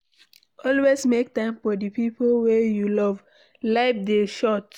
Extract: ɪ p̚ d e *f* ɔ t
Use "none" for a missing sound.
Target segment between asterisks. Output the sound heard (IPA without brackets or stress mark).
ʃ